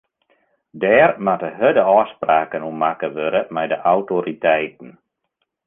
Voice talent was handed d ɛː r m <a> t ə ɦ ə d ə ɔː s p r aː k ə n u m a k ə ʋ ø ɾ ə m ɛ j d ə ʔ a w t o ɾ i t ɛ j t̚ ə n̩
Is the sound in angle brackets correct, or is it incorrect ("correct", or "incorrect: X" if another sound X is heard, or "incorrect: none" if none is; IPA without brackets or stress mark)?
correct